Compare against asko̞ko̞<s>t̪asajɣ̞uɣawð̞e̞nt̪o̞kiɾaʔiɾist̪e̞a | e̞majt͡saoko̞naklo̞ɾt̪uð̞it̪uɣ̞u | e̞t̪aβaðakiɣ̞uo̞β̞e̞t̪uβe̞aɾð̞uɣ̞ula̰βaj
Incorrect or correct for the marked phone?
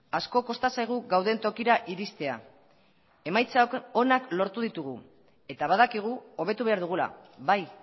correct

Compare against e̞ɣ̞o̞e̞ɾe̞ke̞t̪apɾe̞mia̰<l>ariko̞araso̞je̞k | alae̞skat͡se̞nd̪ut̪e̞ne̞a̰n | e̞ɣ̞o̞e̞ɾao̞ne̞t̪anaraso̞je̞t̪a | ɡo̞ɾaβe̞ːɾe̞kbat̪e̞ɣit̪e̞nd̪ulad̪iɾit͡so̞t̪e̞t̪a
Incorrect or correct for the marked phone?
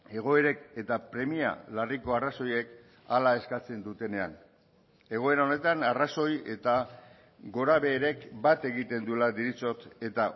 correct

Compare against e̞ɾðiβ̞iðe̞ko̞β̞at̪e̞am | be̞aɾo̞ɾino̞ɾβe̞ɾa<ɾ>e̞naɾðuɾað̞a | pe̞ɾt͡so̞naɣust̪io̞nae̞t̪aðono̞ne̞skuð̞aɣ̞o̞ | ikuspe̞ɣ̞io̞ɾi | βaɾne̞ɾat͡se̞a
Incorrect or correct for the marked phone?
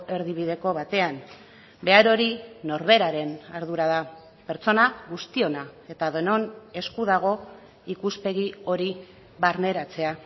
correct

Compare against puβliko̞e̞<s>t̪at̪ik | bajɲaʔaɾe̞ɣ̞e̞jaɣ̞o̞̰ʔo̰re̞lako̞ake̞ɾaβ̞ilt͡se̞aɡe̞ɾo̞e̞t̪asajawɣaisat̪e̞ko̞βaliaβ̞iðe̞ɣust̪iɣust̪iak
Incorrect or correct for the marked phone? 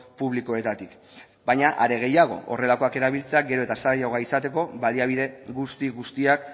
incorrect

